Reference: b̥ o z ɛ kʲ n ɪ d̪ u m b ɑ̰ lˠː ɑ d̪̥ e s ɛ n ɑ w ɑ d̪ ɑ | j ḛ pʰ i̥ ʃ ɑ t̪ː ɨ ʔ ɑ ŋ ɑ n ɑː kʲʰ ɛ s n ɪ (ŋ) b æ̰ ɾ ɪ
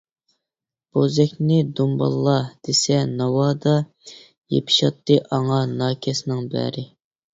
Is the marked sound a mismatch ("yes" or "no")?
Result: no